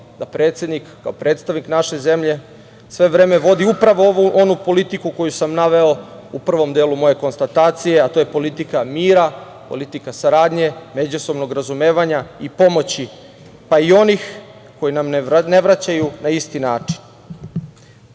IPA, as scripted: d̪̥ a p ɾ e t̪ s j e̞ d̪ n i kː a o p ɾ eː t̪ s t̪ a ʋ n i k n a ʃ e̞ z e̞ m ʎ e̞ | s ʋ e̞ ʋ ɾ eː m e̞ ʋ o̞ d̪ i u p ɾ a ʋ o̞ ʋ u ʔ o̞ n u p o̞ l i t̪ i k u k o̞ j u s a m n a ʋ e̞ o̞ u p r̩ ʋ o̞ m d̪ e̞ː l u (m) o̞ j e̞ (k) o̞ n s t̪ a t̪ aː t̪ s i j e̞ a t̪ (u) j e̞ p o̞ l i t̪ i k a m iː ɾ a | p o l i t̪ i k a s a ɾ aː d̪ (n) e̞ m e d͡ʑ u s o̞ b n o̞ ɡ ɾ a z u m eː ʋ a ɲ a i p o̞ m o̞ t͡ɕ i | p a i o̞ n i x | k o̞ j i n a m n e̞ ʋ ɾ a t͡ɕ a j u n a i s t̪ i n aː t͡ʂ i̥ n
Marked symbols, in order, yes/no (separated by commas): yes, yes, no, no